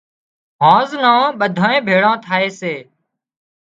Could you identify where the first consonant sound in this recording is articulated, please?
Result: glottal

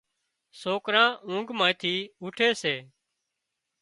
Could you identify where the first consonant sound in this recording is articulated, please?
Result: alveolar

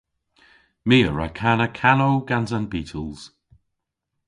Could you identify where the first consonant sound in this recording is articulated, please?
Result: labial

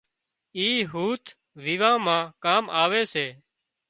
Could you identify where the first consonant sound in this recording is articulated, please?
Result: glottal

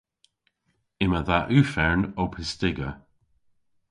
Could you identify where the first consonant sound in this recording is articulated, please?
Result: labial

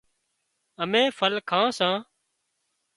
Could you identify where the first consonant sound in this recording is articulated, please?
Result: labial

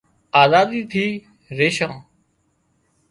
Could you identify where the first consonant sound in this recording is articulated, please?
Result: alveolar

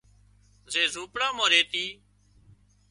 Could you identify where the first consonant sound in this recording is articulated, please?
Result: alveolar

